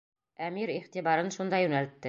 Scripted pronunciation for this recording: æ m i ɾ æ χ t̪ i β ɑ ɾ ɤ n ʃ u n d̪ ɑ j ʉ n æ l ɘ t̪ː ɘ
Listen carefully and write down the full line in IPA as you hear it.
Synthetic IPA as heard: æ m i ɾ i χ t̪ i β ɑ ɾ ɤ n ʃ u n d̪ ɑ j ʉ n æ l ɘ t̪ː ɘ